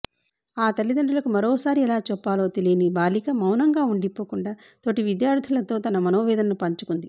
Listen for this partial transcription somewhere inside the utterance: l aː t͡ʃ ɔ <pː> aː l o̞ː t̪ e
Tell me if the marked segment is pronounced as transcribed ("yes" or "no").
yes